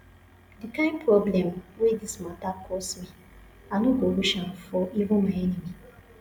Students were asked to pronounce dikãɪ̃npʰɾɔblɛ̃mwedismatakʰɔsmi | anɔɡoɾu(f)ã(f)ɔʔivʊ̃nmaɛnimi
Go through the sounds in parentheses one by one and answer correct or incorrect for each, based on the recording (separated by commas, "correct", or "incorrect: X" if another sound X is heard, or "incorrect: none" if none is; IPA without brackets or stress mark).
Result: incorrect: ʃ, correct